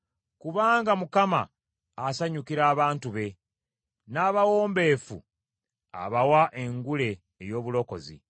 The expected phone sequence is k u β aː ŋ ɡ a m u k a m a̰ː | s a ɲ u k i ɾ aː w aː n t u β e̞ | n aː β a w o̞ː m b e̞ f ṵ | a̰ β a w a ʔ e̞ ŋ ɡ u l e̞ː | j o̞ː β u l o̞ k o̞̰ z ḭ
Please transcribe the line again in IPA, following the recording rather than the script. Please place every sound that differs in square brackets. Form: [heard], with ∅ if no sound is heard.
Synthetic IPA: k u β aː ŋ ɡ a m u k a m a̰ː | s a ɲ u k i ɾ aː [β] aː n t u β e̞ | n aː β a w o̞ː m b e̞ f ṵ | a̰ β a w a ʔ e̞ ŋ ɡ u l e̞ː | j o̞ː β u l o̞ k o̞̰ z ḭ